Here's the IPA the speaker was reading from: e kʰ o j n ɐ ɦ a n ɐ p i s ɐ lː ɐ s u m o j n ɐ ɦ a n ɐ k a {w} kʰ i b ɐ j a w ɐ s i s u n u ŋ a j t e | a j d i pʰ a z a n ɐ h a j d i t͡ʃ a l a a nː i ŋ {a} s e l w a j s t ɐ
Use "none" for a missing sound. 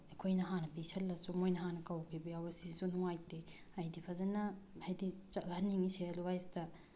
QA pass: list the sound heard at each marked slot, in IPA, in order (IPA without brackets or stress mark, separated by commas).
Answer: w, i